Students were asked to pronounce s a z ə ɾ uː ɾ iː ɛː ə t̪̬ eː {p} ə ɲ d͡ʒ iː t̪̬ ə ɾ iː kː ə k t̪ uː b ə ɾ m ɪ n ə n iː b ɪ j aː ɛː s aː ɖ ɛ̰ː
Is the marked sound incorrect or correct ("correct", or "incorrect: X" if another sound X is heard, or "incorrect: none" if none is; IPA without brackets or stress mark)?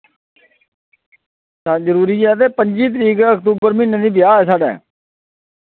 correct